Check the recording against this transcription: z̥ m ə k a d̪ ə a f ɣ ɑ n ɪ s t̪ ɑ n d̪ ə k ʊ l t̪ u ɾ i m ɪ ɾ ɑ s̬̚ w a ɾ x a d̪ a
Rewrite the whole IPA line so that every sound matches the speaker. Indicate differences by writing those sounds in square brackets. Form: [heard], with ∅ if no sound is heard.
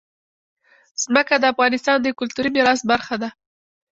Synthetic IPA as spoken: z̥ m ə k a d̪ ə a f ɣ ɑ n ɪ s t̪ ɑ n d̪ ə k ʊ l t̪ u ɾ i m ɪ ɾ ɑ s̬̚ [b] a ɾ x a d̪ a

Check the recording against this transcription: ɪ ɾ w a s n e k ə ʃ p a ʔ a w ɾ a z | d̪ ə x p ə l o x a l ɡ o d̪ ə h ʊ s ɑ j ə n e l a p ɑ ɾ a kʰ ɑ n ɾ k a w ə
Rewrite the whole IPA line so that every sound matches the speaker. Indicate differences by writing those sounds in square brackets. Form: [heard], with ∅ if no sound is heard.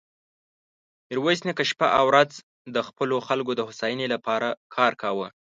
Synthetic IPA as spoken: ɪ ɾ w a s n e k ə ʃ p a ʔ a w ɾ a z | d̪ ə x p ə l o x a l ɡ o d̪ ə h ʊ s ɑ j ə n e l a p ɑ ɾ a kʰ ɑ [∅] ɾ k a w ə

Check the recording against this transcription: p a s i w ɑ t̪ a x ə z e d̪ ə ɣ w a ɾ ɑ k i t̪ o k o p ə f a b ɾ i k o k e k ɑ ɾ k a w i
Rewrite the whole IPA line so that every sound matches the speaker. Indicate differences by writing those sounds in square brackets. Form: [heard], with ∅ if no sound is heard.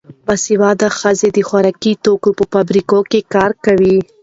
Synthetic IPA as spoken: [b] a s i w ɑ [d̪] a x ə z e d̪ ə [x] w a ɾ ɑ k i t̪ o k o p ə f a b ɾ i k o k e k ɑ ɾ k a w i

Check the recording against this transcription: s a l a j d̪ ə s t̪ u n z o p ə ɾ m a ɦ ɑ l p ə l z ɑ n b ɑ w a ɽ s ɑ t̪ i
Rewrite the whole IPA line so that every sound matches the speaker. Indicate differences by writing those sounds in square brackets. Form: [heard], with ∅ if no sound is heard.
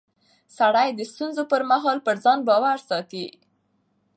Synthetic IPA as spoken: s a [ɽ] a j d̪ ə s t̪ u n z o p ə ɾ m a ɦ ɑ l p ə [ɾ] z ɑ n b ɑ w a [ɾ] s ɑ t̪ i

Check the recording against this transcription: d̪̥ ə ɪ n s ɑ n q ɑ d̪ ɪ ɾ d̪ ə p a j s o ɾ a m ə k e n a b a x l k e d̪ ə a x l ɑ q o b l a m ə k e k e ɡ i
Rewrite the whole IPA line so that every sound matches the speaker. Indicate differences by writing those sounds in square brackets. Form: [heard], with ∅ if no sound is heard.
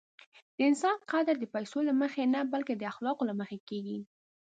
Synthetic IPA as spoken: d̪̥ ə ɪ n s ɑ n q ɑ d̪ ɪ ɾ d̪ ə p a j s o [l] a m ə [x] e n a b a [∅] l k e d̪ ə a x l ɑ q o [∅] l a m ə [x] e k e ɡ i

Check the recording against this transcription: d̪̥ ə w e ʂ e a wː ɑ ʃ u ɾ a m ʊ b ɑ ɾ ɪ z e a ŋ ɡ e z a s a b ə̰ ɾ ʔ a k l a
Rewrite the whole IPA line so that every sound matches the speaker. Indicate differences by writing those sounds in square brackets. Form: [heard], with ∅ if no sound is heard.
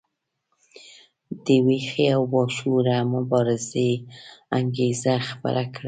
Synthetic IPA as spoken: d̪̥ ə w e [x] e a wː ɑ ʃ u ɾ a m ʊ b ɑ ɾ ɪ z e a ŋ ɡ e z a [x] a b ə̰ ɾ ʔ a k [ɽ] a

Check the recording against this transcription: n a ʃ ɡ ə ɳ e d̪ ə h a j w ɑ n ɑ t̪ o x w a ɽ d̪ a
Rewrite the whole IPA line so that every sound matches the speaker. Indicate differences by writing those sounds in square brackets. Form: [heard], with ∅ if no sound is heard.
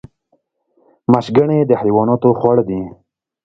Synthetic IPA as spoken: [m] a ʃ ɡ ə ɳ e d̪ ə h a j w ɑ n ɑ t̪ o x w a ɽ d̪ [i]

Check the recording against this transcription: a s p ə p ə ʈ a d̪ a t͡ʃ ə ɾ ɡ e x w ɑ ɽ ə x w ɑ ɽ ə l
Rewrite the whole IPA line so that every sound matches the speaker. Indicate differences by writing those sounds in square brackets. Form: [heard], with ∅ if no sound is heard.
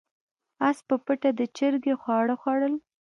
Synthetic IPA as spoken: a s p ə p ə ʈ a d̪ [ə] t͡ʃ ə ɾ ɡ e x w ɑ ɽ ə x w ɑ ɽ ə l

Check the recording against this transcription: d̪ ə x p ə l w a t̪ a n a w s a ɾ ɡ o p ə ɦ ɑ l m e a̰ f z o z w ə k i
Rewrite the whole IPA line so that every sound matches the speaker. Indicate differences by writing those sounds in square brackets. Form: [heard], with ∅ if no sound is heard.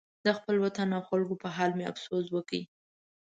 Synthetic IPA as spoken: d̪ ə x p ə l w a t̪ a n a w [x] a [l] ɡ o p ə ɦ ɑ l m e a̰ f [s] o z w ə k i

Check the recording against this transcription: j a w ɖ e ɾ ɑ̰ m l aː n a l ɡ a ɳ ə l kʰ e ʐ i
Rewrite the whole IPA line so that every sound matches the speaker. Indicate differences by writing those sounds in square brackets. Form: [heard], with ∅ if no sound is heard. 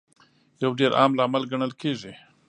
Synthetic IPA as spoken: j a w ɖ e ɾ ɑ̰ m l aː [m] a l ɡ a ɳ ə l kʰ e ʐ i

